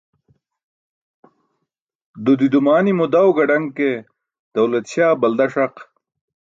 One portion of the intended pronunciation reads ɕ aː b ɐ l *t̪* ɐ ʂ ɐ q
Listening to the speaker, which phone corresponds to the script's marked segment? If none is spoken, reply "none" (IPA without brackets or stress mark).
d̪